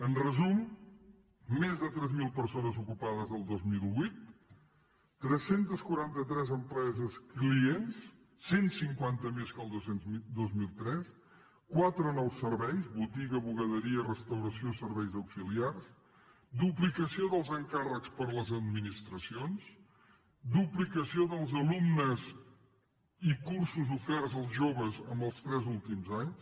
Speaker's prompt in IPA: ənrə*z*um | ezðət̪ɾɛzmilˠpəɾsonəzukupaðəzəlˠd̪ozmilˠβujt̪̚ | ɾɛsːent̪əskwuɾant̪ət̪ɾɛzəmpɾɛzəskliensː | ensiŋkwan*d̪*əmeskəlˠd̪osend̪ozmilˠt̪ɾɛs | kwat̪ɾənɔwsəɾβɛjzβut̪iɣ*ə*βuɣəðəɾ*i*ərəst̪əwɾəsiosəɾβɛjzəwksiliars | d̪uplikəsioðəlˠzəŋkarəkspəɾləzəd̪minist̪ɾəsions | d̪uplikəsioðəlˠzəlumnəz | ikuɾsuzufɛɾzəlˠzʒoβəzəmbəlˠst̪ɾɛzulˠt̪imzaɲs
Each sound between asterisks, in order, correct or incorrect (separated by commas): correct, incorrect, correct, correct